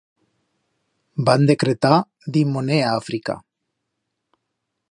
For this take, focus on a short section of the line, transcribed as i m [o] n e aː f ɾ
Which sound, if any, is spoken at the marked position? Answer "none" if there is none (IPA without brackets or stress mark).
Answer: o